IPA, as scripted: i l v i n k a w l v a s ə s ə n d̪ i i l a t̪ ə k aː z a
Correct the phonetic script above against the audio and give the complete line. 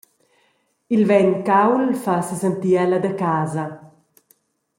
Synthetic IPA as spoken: i l v ɛ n k a w l f a s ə s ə n t̪ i ɛ l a d̪ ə k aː z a